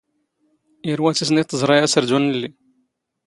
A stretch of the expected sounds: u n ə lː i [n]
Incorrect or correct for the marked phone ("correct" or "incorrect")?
incorrect